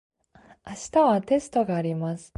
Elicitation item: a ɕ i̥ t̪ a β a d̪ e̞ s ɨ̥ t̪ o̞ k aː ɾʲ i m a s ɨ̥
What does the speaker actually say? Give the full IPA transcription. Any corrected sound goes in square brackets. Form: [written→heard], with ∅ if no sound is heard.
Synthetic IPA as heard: a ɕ i̥ t̪ a β a [d̪→t̪] e̞ s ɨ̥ t̪ o̞ [k→ɡ] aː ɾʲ i m a s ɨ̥